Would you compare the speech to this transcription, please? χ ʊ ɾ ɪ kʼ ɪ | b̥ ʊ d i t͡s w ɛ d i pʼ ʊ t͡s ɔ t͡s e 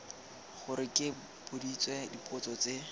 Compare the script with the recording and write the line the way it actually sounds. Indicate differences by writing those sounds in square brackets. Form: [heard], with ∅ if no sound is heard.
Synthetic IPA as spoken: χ ʊ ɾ ɪ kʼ ɪ | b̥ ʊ d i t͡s w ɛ d i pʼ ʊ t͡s ɔ t͡s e